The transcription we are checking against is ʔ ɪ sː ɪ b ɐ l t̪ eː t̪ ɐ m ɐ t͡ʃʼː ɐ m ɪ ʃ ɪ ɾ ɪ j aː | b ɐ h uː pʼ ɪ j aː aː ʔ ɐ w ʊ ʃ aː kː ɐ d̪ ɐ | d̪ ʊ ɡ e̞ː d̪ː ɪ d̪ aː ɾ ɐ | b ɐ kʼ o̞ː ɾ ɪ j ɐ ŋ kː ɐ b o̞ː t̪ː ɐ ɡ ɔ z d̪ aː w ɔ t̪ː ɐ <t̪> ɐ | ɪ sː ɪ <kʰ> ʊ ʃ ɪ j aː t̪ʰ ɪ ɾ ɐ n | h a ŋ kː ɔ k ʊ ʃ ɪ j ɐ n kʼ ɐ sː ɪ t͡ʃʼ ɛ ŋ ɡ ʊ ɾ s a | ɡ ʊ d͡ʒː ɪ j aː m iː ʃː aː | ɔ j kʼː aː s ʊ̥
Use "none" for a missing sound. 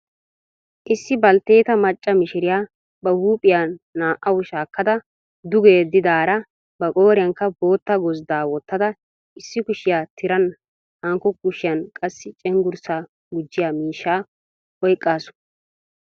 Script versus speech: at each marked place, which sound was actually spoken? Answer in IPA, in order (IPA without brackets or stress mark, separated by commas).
d̪, k